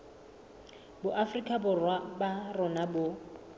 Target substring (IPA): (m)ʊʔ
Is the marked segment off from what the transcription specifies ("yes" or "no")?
yes